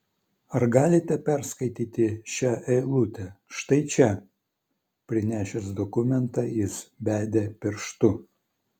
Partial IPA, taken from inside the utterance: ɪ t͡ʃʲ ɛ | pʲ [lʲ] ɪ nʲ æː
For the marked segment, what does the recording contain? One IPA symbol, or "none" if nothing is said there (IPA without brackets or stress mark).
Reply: ɾʲ